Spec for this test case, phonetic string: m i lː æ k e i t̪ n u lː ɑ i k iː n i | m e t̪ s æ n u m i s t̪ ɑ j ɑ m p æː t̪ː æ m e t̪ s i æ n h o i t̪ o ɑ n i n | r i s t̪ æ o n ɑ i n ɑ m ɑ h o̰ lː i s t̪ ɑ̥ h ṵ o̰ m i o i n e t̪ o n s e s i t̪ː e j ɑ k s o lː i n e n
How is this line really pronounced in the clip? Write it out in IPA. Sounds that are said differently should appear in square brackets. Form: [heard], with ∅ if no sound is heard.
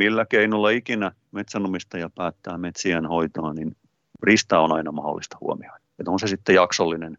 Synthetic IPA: m i lː æ k e i [∅] n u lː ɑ i k [i] n [æ] | m e t̪ s æ n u m i s t̪ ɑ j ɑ [∅] p æː t̪ː [æː] m e t̪ s i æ n h o i t̪ o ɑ n i n | r i s t̪ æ o n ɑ i n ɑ m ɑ h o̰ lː i s t̪ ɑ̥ h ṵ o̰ m i o i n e t̪ o n s e s i t̪ː e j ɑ k s o lː i n e n